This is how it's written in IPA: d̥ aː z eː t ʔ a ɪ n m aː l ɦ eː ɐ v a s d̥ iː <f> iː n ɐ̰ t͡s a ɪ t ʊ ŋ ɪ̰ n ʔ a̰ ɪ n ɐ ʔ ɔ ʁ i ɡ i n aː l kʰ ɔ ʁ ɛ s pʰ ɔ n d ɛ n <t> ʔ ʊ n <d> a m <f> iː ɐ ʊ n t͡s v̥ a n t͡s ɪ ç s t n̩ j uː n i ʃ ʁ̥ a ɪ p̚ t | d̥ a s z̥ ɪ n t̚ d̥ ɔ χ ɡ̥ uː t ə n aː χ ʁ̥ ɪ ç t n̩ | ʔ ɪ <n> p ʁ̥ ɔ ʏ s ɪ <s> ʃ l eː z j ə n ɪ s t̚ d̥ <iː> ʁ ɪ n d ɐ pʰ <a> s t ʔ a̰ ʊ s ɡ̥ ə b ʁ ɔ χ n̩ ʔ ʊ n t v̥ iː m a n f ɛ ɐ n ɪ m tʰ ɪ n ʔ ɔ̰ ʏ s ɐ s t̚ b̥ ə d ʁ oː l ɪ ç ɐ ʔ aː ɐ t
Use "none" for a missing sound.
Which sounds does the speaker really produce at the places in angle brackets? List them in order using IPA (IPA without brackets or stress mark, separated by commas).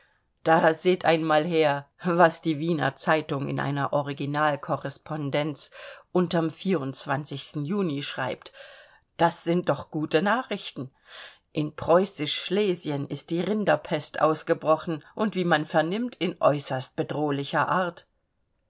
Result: v, t͡s, t, f, n, ʃ, iː, ɛ